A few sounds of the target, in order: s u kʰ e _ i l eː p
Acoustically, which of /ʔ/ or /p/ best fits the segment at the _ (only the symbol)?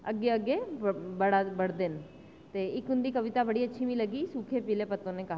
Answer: p